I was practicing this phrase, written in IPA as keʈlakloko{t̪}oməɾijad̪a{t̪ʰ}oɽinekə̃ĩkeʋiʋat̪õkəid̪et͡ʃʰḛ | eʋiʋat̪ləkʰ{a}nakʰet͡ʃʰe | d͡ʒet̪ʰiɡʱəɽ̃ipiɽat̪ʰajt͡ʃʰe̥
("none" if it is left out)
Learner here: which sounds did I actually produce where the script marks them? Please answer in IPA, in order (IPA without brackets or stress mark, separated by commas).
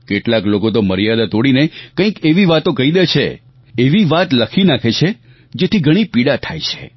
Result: t̪, t̪, i